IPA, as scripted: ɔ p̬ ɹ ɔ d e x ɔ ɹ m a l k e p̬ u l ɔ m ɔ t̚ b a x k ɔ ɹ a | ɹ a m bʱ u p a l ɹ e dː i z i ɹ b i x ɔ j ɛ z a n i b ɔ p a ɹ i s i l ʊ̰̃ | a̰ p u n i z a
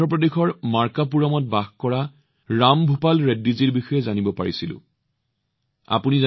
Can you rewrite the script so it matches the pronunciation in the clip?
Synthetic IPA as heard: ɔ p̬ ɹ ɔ d e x ɔ ɹ m a ɹ k a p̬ u ɹ ɔ m ɔ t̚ b a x k ɔ ɹ a | ɹ a m bʱ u p a l ɹ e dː i z i ɹ b i x ɔ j ɛ z a n i b ɔ p a ɹ i s i l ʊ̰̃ | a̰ p u n i z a